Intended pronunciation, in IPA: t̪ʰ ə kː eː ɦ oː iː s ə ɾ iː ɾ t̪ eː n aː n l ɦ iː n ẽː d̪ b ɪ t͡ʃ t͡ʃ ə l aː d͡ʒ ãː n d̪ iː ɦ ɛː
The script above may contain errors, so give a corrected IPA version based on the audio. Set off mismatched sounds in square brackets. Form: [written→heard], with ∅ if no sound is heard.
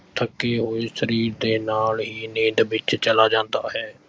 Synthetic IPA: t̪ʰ ə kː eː ɦ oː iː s ə ɾ iː ɾ [t̪→d̪] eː n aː [n→∅] l ɦ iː n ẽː d̪ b ɪ t͡ʃ t͡ʃ ə l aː d͡ʒ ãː n d̪ [iː→aː] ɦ ɛː